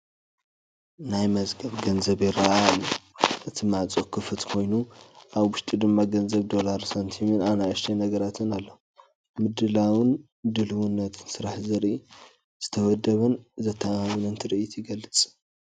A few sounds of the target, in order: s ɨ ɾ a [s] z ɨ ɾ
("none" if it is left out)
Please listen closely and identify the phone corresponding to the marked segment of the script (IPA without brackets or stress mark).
ħ